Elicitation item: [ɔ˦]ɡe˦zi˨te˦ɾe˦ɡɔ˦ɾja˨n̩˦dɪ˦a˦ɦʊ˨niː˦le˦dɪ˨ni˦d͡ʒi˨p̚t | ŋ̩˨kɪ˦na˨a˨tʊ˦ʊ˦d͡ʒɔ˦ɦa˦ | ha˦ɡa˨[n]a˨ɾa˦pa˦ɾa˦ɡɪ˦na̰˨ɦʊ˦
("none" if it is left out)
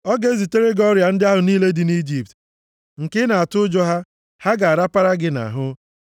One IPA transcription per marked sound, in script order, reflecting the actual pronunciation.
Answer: ɔ˦, none

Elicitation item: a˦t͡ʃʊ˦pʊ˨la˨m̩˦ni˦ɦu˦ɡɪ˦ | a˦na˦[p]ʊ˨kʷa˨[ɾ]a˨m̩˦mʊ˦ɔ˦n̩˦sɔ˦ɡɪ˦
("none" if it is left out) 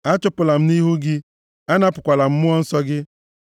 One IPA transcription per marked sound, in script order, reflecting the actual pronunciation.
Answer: p, l

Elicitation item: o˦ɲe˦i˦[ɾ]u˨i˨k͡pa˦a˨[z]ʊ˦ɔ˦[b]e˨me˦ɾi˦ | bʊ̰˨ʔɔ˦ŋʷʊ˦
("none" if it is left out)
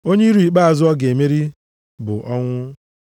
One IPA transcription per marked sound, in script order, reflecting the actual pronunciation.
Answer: ɾ, z, ɡ

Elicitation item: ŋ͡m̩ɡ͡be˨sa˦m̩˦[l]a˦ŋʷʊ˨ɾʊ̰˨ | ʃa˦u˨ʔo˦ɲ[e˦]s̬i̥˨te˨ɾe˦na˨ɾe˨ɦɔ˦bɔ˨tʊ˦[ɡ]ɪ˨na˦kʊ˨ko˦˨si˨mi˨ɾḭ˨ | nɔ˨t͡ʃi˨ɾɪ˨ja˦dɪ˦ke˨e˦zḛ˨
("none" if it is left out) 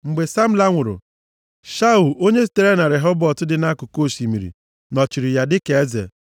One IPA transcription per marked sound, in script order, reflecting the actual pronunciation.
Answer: l, e˦, d

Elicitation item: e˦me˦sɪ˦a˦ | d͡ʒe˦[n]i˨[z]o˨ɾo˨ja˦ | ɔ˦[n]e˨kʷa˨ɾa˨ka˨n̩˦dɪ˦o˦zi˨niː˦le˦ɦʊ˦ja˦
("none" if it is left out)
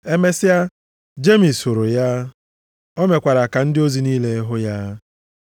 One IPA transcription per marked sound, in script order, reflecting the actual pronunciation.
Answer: m, s, m

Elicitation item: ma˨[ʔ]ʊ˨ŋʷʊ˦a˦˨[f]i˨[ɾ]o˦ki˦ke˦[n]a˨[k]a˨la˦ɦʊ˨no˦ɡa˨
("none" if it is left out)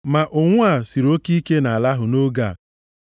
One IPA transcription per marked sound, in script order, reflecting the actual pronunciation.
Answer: ʔ, s, ɾ, n, none

